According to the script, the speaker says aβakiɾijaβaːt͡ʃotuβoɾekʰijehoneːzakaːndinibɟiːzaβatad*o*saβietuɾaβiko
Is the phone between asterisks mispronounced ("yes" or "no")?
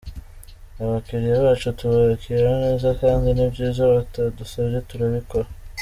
yes